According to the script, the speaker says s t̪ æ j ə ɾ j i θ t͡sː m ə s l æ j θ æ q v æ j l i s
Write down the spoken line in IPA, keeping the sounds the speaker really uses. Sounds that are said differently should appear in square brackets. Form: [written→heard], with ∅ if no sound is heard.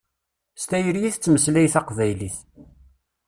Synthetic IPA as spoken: s t̪ æ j ə ɾ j i θ t͡sː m ə s l æ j θ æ q v æ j l i [s→θ]